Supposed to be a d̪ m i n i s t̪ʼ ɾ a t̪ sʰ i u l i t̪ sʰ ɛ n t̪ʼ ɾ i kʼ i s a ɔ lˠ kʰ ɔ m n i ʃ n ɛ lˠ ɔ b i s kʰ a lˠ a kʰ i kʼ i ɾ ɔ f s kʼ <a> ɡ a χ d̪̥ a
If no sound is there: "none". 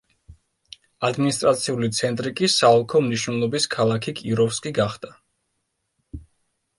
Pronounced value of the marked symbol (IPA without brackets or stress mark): i